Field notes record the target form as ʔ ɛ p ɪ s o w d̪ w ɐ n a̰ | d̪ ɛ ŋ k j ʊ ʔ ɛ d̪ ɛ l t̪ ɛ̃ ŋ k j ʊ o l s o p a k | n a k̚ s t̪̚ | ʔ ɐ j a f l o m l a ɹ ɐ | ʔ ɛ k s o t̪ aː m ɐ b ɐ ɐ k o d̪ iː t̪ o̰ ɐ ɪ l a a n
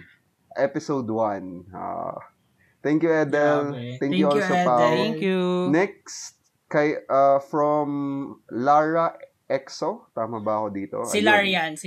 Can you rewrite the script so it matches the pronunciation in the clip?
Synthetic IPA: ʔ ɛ p ɪ s o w d̪ w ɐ n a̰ | t̪ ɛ ŋ k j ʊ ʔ ɛ d̪ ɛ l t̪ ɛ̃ ŋ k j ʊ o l s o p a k | n ɛ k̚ s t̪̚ | k ɐ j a f ɹ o m l a ɹ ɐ | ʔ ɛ k s o t̪ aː m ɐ b ɐ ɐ k o d̪ iː t̪ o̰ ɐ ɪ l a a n